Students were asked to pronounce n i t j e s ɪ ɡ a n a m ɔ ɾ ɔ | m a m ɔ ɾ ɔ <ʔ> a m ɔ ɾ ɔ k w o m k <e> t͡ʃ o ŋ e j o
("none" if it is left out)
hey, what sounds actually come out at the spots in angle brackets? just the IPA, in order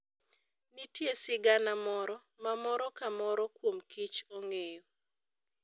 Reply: k, i

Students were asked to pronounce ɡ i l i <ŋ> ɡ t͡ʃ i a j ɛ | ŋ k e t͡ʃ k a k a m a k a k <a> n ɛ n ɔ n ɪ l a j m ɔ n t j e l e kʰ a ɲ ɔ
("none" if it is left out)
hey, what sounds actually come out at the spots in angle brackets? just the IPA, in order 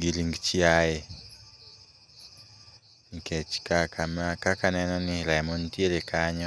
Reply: ŋ, a

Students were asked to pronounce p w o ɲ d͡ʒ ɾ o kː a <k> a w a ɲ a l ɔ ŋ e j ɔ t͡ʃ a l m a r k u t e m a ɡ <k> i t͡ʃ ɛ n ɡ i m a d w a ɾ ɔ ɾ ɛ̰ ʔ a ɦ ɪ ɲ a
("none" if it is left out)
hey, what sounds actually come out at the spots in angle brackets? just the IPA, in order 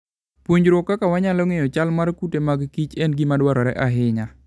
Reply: k, k

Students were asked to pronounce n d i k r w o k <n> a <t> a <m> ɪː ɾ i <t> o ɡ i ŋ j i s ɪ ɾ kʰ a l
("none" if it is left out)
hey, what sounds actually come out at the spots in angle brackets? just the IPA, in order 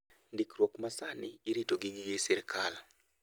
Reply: m, s, n, t

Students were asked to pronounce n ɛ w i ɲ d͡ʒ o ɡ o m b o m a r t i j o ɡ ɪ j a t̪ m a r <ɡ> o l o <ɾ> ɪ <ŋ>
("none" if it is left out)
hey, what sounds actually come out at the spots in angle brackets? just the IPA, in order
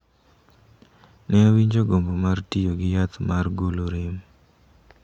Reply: ɡ, ɾ, m

